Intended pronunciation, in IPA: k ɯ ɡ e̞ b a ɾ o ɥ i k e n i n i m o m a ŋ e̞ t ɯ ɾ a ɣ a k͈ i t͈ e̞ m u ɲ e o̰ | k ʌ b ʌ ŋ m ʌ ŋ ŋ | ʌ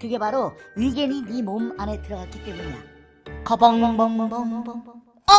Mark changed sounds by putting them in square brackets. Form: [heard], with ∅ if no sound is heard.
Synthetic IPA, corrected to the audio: k ɯ ɡ e̞ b a ɾ o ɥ i [ɡ] e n i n i m o m a [n] e̞ t ɯ ɾ [ʌ] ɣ a k͈ i t͈ e̞ m u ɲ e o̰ | k ʌ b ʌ ŋ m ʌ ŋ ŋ | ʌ